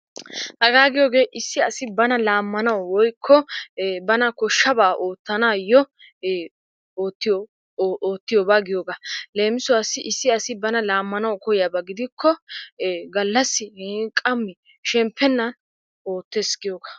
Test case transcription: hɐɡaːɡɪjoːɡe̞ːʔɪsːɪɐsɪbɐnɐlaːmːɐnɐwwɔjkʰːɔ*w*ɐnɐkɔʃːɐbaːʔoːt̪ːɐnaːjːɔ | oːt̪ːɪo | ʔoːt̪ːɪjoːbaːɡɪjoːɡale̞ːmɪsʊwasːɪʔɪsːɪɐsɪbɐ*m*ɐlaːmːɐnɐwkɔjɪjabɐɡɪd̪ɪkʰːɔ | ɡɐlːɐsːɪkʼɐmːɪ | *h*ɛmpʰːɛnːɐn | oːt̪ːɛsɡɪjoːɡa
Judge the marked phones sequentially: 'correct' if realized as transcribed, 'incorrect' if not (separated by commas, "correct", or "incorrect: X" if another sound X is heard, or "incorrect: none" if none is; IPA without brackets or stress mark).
incorrect: b, incorrect: n, incorrect: ʃ